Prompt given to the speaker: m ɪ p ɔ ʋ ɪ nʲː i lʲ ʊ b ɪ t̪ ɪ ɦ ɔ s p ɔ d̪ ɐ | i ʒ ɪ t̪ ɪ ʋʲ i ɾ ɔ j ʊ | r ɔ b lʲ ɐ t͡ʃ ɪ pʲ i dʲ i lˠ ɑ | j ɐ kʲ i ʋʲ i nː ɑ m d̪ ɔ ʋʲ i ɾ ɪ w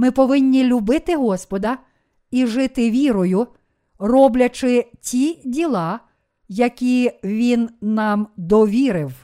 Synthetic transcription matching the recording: m ɪ p ɔ ʋ ɪ nʲː i lʲ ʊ b ɪ t̪ ɪ ɦ ɔ s p ɔ d̪ ɐ | i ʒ ɪ t̪ ɪ ʋʲ i ɾ ɔ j ʊ | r ɔ b lʲ ɐ t͡ʃ ɪ tʲ i dʲ i lˠ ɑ | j ɐ kʲ i ʋʲ i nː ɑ m d̪ ɔ ʋʲ i ɾ ɪ w